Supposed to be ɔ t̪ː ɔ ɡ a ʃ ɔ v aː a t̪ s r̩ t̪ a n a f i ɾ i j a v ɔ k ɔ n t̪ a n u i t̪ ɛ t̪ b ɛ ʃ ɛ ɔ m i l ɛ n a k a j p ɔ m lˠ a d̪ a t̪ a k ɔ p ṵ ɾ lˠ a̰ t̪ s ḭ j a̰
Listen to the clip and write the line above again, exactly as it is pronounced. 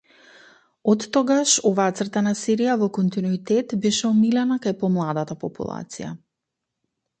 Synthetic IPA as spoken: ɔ t̪ː ɔ ɡ a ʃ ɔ v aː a t̪ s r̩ t̪ a n a s i ɾ i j a v ɔ k ɔ n t̪ i n u i t̪ ɛ t̪ b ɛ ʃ ɛ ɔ m i l ɛ n a k a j p ɔ m lˠ a d̪ a t̪ a p ɔ p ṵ lˠ a̰ t̪ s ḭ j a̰

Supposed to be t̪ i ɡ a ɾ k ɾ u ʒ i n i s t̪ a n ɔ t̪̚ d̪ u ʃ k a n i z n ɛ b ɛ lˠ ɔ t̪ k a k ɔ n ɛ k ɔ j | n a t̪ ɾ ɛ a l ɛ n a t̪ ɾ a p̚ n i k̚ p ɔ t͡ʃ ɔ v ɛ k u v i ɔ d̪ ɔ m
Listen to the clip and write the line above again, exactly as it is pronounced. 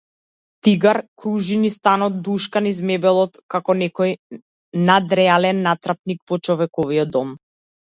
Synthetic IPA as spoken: t̪ i ɡ a ɾ k ɾ u ʒ i n i s t̪ a n ɔ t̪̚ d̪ u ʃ k a n i z m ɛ b ɛ lˠ ɔ t̪ k a k ɔ n ɛ k ɔ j | n a d̪ ɾ ɛ a l ɛ nː a t̪ ɾ a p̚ n i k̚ p ɔ t͡ʃ ɔ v ɛ k ɔ v i ɔ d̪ ɔ m

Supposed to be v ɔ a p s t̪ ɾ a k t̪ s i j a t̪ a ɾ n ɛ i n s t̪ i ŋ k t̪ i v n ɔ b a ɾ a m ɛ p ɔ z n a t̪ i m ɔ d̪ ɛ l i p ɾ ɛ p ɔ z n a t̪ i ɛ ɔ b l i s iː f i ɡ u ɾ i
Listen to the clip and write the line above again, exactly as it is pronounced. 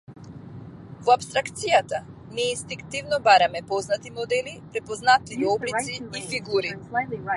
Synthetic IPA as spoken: v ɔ a p s t̪ ɾ a k t̪ s i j a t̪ a n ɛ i n s t̪ i ŋ k t̪ i v n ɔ b a ɾ a m ɛ p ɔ z n a t̪ i m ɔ d̪ ɛ l i p ɾ ɛ p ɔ z n a t̪ i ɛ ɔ b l i s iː f i ɡ u ɾ i

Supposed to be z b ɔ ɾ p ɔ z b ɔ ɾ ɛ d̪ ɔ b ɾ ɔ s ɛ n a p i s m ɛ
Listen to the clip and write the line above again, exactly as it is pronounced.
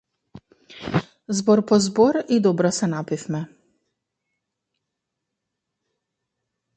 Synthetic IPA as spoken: z b ɔ ɾ p ɔ z b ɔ ɾ i d̪ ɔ b ɾ ɔ s ɛ n a p i f m ɛ

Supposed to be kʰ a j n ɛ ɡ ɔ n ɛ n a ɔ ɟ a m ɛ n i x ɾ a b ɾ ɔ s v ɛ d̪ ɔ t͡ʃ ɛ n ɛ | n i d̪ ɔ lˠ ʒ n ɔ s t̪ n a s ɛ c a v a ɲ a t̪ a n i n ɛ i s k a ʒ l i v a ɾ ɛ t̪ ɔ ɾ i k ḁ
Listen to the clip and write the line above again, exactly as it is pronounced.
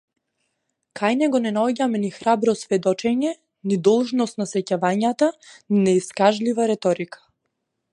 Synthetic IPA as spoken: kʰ a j n ɛ ɡ ɔ n ɛ n a ɔ ɟ a m ɛ n i x ɾ a b ɾ ɔ s v ɛ d̪ ɔ t͡ʃ ɛ ɲ ɛ | n i d̪ ɔ lˠ ʒ n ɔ s t̪ n a s ɛ c a v a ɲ a t̪ a n i n ɛ i s k a ʒ l i v a ɾ ɛ t̪ ɔ ɾ i k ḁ

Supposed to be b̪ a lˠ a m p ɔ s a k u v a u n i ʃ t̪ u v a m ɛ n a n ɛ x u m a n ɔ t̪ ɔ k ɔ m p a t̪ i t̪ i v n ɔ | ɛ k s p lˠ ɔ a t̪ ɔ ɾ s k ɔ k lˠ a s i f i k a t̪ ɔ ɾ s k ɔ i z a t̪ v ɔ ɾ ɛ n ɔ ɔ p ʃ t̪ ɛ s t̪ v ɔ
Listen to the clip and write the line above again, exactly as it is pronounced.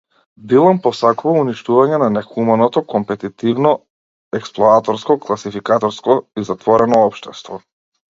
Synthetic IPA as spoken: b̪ i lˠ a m p ɔ s a k u v a u n i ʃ t̪ u v a ɲ ɛ n a n ɛ x u m a n ɔ t̪ ɔ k ɔ m p ɛ t̪ i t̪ i v n ɔ | ɛ k s p lˠ ɔ a t̪ ɔ ɾ s k ɔ k lˠ a s i f i k a t̪ ɔ ɾ s k ɔ i z a t̪ v ɔ ɾ ɛ n ɔ ɔ p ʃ t̪ ɛ s t̪ v ɔ

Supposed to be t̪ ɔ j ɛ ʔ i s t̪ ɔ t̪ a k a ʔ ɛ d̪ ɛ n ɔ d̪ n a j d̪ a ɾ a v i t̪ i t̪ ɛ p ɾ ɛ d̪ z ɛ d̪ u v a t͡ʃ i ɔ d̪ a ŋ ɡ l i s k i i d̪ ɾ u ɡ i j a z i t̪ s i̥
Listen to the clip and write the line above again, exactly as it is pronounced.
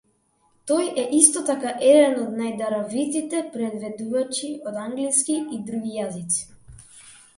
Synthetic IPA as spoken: t̪ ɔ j ɛ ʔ i s t̪ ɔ t̪ a k a ʔ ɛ d̪ ɛ n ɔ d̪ n a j d̪ a ɾ a v i t̪ i t̪ ɛ p ɾ ɛ d̪ v ɛ d̪ u v a t͡ʃ i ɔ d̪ a ŋ ɡ l i s k i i d̪ ɾ u ɡ i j a z i t̪ s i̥

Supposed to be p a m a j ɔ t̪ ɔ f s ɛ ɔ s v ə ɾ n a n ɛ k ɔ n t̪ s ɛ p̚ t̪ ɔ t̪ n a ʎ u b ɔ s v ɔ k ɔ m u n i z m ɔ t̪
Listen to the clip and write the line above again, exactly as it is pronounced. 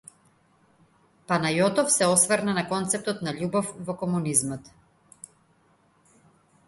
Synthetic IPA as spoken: p a n a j ɔ t̪ ɔ f s ɛ ɔ s v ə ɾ n a n a k ɔ n t̪ s ɛ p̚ t̪ ɔ t̪ n a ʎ u b ɔ f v ɔ k ɔ m u n i z m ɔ t̪

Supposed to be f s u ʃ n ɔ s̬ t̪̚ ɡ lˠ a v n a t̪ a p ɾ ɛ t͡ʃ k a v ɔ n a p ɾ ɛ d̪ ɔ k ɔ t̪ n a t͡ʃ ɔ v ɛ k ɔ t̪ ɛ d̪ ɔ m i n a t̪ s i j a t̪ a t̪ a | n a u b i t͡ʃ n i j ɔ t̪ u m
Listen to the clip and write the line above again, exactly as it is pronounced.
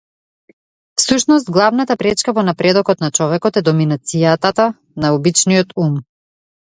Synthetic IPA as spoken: f s u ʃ n ɔ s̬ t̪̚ ɡ lˠ a v n a t̪ a p ɾ ɛ t͡ʃ k a v ɔ n a p ɾ ɛ d̪ ɔ k ɔ t̪ n a t͡ʃ ɔ v ɛ k ɔ t̪ ɛ d̪ ɔ m i n a t̪ s i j a t̪ a t̪ a | n a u b i t͡ʃ n i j ɔ t̪ u m

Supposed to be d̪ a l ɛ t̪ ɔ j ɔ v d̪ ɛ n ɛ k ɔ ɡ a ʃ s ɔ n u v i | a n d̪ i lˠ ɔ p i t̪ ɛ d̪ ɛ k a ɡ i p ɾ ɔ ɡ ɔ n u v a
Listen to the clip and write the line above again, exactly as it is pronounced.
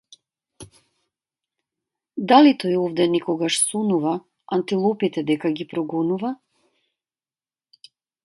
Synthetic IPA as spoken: d̪ a l i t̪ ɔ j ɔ v d̪ ɛ n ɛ k ɔ ɡ a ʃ s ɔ n u v a | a n t̪ i lˠ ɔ p i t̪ ɛ d̪ ɛ k a ɡ i p ɾ ɔ ɡ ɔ n u v a

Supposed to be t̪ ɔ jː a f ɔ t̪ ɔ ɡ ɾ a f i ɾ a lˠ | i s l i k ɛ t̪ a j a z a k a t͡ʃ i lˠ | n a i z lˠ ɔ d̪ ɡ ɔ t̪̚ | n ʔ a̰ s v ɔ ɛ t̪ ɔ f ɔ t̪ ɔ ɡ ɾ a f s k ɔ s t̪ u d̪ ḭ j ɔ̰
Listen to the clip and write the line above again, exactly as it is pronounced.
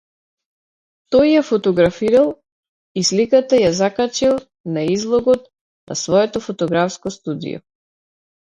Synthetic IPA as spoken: t̪ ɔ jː a f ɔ t̪ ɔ ɡ ɾ a f i ɾ a lˠ | i s l i k a t̪ a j a z a k a t͡ʃ i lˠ | n a i z lˠ ɔ ɡ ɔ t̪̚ | n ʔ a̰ s v ɔ ɛ t̪ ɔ f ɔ t̪ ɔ ɡ ɾ a f s k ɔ s t̪ u d̪ ḭ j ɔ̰

